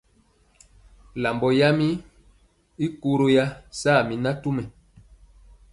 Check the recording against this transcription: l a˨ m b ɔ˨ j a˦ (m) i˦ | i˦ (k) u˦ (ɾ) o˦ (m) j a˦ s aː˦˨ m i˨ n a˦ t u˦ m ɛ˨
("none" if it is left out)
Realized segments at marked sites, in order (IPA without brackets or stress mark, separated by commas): m, k, ɾ, none